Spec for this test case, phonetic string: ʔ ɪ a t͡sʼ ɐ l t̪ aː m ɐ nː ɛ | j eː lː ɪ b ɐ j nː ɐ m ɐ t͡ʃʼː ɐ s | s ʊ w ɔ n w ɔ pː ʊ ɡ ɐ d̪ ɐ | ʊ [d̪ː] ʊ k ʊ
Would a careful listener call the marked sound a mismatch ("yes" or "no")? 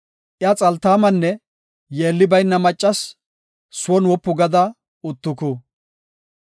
yes